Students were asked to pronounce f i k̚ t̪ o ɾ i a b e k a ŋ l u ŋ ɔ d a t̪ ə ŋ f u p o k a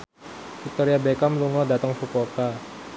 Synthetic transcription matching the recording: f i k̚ t̪ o ɾ i a b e k a m l u ŋ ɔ d a t̪ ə ŋ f u p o k a